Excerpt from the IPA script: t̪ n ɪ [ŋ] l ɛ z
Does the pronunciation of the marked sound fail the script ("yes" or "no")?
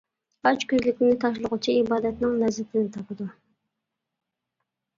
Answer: no